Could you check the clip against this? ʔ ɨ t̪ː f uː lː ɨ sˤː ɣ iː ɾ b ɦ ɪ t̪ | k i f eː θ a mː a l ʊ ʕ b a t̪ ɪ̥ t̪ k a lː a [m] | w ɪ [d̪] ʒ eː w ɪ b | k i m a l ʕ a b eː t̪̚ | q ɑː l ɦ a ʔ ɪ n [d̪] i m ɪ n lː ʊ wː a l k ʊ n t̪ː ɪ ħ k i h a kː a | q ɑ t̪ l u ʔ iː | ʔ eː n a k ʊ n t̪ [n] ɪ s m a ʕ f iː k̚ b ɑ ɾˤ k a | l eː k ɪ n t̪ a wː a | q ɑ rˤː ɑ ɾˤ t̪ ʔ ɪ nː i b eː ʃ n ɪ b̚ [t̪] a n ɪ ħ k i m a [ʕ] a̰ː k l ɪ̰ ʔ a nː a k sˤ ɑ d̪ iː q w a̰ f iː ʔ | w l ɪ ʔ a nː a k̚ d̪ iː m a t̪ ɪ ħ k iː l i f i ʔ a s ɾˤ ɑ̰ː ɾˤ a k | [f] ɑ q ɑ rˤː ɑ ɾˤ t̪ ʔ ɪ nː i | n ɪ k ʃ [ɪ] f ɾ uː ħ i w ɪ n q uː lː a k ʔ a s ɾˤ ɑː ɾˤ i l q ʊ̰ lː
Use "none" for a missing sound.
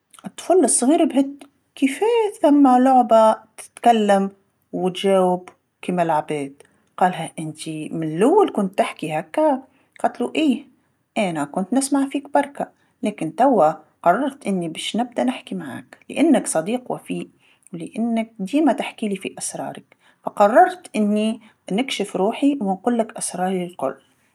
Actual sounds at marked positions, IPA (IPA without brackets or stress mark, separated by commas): m, t̪, t̪, n, d̪, ʕ, f, ɪ